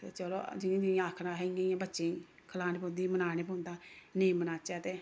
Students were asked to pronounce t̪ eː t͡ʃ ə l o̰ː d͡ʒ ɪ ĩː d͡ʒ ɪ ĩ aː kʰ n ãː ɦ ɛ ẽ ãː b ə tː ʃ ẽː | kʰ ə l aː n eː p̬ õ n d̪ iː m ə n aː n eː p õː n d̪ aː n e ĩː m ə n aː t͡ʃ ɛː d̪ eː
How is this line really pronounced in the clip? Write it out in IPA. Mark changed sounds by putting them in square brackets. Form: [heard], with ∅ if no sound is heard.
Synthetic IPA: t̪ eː t͡ʃ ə l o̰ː d͡ʒ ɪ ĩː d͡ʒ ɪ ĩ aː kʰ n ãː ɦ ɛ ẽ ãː b ə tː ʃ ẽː | kʰ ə l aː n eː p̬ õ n d̪ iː m ə n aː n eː p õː n d̪ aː n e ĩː m ə n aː t͡ʃ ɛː [t̪] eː